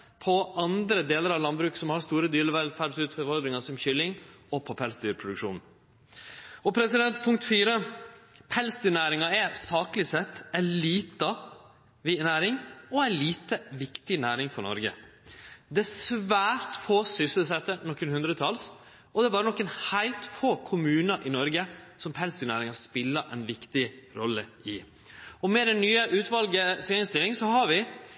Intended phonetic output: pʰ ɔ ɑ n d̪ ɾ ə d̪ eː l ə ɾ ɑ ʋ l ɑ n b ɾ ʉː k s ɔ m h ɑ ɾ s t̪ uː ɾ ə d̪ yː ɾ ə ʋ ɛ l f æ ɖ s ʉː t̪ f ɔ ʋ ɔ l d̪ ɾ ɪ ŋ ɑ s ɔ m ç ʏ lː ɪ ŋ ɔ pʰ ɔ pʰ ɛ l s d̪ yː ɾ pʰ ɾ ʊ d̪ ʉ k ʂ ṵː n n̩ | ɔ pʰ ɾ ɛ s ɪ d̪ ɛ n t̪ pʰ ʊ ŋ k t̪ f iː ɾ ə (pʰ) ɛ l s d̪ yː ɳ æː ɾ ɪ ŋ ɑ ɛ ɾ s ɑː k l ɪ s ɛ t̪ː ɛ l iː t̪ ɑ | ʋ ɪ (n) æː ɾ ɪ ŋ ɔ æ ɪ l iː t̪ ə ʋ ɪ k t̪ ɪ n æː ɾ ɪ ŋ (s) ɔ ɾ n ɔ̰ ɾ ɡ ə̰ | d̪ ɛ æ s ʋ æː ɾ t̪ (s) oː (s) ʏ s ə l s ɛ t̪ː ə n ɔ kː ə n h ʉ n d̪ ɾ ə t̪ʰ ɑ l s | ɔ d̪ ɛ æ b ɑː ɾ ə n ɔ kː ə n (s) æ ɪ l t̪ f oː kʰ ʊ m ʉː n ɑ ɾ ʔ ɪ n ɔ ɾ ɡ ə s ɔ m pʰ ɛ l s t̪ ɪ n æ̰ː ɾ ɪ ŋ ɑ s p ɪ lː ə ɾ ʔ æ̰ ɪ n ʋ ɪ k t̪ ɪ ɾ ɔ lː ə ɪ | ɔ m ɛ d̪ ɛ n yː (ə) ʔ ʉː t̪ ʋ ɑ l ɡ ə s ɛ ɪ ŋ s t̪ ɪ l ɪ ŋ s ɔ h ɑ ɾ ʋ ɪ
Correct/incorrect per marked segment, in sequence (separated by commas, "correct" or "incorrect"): correct, correct, incorrect, incorrect, correct, incorrect, correct